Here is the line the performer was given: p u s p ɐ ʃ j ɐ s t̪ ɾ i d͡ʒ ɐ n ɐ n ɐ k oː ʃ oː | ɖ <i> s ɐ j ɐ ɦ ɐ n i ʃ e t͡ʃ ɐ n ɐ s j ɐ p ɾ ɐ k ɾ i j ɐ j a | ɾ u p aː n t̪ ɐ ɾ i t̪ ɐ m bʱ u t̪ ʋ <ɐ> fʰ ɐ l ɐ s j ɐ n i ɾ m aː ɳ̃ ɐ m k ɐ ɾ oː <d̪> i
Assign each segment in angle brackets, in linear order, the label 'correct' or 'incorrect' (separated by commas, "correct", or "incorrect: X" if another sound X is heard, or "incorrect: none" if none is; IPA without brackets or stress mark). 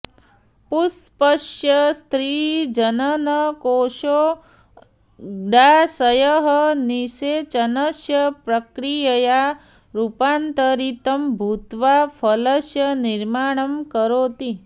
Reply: incorrect: a, incorrect: a, incorrect: t̪